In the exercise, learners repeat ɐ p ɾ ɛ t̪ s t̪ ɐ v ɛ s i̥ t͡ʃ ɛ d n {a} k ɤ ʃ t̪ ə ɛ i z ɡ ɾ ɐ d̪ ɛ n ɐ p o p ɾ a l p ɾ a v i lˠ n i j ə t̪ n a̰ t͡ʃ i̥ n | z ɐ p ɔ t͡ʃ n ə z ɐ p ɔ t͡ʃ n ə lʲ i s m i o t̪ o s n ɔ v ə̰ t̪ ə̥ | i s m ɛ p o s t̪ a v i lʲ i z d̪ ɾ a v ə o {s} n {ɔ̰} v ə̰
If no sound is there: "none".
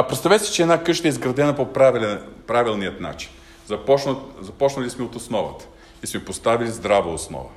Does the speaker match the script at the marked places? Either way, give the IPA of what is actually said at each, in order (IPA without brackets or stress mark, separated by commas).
a, s, ɔ̰